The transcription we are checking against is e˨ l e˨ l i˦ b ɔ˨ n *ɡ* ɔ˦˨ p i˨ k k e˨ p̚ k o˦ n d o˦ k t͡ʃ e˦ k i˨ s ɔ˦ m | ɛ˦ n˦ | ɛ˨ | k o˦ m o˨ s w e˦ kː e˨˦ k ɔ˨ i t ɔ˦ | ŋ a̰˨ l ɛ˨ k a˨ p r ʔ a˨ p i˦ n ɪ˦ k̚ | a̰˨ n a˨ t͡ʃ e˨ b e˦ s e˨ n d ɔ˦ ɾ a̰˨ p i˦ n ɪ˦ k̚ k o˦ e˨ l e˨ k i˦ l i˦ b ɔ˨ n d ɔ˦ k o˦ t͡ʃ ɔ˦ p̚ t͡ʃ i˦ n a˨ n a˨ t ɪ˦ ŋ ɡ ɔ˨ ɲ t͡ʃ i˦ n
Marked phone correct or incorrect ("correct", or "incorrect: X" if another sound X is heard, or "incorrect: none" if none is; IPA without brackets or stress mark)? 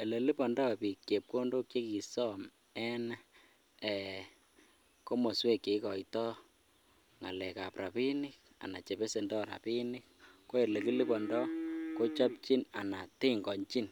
incorrect: d